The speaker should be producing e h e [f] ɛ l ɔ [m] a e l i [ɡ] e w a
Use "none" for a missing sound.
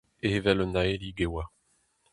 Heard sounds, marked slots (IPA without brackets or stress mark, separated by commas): v, n, ɡ